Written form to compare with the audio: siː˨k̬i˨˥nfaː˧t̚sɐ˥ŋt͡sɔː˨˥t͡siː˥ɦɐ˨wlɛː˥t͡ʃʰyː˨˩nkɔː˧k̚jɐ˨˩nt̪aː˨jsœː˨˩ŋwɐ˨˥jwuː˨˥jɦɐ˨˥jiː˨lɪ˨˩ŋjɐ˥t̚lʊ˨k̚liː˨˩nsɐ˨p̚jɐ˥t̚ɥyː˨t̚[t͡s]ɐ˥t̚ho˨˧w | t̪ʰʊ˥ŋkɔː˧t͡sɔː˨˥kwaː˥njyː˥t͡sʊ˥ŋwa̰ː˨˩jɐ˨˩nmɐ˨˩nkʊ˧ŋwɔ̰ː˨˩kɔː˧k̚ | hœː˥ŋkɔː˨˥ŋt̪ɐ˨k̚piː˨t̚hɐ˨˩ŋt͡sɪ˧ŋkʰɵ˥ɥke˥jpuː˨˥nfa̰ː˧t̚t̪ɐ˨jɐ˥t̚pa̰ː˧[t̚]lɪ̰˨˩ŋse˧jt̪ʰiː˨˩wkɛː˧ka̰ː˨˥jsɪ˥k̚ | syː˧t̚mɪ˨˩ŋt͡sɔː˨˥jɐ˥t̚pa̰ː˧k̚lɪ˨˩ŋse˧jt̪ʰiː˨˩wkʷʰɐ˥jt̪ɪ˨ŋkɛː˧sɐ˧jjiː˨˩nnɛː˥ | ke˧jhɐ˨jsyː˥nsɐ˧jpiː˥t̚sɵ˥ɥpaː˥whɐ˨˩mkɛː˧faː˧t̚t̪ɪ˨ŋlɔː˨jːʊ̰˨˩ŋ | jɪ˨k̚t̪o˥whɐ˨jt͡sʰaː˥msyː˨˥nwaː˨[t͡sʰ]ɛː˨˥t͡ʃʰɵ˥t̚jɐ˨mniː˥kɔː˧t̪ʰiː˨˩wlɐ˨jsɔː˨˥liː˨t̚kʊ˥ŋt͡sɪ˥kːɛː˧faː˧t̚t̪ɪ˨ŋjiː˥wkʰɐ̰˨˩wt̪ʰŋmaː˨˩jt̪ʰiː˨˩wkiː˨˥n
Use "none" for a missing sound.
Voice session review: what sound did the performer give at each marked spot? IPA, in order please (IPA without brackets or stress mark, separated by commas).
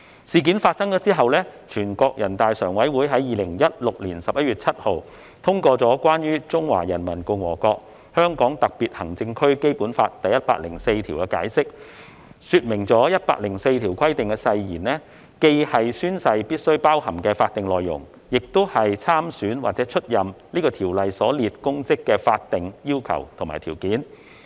t͡sʰ, k̚, t͡s